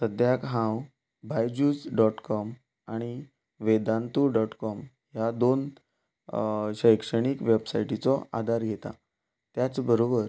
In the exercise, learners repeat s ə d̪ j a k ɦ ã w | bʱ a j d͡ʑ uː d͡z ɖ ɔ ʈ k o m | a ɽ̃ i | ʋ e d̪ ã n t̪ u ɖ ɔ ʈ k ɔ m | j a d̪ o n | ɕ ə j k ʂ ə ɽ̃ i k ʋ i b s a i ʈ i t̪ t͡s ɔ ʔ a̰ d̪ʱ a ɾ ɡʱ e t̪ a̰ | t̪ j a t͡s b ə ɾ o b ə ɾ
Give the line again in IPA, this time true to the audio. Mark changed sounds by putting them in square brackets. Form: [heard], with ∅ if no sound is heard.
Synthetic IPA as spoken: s ə d̪ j a k ɦ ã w | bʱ a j d͡ʑ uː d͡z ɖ ɔ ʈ k [ɔ] m | a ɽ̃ i | ʋ e d̪ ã n t̪ u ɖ ɔ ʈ k ɔ m | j a d̪ o n | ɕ ə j k ʂ ə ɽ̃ i k ʋ [e] b s a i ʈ i [∅] t͡s ɔ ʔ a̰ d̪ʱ a ɾ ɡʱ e t̪ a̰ | t̪ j a t͡s b ə ɾ o b ə ɾ

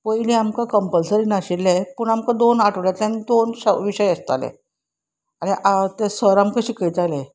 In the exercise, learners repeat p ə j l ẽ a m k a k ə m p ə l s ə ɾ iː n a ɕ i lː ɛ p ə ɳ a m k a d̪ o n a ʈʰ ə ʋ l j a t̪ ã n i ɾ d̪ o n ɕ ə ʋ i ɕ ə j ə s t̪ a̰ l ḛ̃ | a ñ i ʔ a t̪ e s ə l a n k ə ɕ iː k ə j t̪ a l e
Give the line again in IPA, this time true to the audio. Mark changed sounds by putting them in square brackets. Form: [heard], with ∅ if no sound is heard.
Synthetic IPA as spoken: p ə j l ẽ a m k a k ə m p ə l s ə ɾ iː n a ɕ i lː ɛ p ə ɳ a m k a d̪ o n a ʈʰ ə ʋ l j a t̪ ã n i [∅] d̪ o n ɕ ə ʋ i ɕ ə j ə s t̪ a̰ l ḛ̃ | a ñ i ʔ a t̪ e s ə [ɾ] a [m] k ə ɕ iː k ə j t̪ a l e

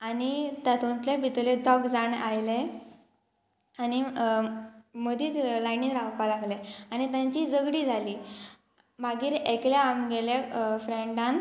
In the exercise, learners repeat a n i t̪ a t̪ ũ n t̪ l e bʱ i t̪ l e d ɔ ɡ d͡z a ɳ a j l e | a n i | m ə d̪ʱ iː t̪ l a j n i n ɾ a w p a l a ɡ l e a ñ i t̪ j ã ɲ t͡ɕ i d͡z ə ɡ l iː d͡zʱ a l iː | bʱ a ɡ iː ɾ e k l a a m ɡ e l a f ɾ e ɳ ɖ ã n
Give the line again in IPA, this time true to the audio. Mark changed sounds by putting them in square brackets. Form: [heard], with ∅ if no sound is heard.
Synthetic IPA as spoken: a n i t̪ a t̪ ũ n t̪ l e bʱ i t̪ l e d ɔ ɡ d͡z a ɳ a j l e | a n i | m ə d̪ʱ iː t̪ l a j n i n ɾ a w p a l a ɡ l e a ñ i t̪ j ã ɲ t͡ɕ i d͡z ə ɡ [ɽ] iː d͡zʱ a l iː | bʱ a ɡ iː ɾ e k l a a m ɡ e l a f ɾ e ɳ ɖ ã n

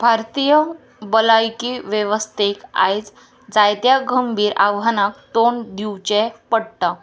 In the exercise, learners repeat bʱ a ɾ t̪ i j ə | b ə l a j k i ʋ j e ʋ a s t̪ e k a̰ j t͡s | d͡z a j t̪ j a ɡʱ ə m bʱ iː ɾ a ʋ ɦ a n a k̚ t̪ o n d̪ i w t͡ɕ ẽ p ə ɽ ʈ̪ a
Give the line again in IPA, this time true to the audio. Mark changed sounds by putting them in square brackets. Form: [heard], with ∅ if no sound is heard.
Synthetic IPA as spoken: bʱ a ɾ t̪ i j ə | b ə l a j k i ʋ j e ʋ [ə] s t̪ e k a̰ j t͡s | d͡z a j t̪ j a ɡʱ ə m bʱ iː ɾ a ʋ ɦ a n a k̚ t̪ o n d̪ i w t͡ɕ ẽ p ə ɽ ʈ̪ a

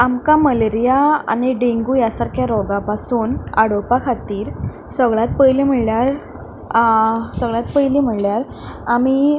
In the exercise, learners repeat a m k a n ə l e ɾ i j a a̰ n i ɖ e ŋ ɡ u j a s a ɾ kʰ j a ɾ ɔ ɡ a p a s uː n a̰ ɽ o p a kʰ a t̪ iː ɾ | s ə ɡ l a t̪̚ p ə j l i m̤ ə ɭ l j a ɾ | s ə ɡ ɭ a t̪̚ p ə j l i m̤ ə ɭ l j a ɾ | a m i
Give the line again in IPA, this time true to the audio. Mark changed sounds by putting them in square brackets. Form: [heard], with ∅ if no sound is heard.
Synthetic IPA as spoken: a m k a [m] ə l e ɾ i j a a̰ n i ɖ e ŋ ɡ u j a s a ɾ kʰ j a ɾ ɔ ɡ a p a s uː n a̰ ɽ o p a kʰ a t̪ iː ɾ | s ə ɡ [ɭ] a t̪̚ p ə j l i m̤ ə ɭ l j a ɾ | s ə ɡ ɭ a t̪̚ p ə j l i m̤ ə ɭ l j a ɾ | a m i

